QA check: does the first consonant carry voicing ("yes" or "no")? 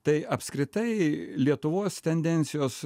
no